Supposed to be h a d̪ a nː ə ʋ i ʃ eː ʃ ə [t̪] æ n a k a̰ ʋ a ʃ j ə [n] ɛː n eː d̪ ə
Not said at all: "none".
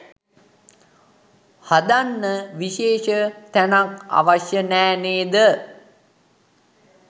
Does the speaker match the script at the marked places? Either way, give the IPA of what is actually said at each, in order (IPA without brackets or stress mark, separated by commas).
t̪, n